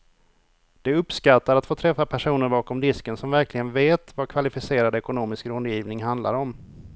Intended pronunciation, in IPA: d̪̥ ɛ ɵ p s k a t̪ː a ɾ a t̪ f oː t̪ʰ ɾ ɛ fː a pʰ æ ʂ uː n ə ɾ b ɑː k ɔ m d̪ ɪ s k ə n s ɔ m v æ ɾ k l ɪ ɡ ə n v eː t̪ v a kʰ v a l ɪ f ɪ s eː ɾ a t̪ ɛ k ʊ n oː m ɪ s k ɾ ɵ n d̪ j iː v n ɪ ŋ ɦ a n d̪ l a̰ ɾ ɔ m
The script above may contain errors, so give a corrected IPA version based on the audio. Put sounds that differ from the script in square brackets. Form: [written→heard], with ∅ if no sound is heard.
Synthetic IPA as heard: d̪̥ ɛ ɵ p s k a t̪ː a ɾ a t̪ f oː t̪ʰ ɾ ɛ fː a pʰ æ ʂ uː n ə ɾ b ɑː k ɔ m d̪ ɪ s k ə n s ɔ m v æ ɾ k l ɪ ɡ ə n v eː t̪ v a kʰ v a l ɪ f ɪ s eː ɾ a [t̪→d̪] ɛ k ʊ n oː m ɪ s k ɾ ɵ n d̪ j iː v n ɪ ŋ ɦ a n d̪ l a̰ ɾ ɔ m